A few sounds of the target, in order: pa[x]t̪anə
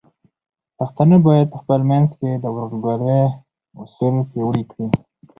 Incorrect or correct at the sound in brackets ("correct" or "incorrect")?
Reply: correct